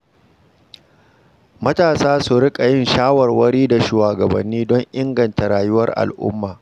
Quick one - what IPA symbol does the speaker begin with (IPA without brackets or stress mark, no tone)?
m